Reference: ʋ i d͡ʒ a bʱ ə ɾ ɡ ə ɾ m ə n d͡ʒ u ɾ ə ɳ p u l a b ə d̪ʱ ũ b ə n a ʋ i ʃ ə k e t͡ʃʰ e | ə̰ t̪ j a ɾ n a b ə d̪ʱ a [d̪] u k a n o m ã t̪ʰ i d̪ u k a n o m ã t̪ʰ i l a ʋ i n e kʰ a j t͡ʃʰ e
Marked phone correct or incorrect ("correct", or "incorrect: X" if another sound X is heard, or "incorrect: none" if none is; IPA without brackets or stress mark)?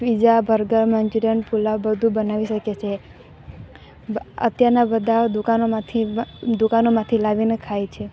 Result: correct